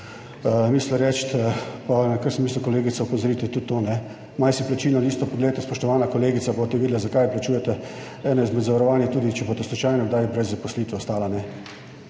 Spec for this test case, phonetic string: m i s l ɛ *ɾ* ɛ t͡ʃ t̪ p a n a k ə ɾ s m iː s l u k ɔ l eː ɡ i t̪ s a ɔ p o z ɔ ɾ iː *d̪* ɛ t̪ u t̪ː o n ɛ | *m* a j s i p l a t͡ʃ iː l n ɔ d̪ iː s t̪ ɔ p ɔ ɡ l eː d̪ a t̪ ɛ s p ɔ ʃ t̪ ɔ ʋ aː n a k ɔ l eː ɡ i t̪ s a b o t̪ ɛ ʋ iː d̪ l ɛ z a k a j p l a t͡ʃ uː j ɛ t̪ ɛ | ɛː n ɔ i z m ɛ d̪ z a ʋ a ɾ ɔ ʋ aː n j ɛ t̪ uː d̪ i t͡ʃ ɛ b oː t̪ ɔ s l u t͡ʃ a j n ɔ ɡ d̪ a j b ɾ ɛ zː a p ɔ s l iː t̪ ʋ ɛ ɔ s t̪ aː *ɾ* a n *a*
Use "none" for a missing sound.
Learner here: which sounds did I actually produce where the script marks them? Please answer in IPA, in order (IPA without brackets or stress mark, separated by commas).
ɾ, t̪, m, l, ɛ